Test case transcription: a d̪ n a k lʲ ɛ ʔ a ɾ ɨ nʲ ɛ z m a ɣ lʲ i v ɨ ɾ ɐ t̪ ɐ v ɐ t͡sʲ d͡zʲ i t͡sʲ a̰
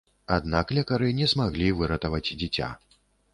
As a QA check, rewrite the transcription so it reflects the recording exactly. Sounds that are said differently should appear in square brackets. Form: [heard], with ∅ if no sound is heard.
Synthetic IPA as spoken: a d̪ n a k lʲ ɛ [k] a ɾ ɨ nʲ ɛ z m a ɣ lʲ i v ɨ ɾ ɐ t̪ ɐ v ɐ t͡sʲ d͡zʲ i t͡sʲ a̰